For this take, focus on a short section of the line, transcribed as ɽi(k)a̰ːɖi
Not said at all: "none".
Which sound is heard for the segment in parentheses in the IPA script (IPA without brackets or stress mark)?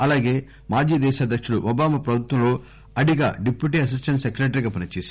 ɡ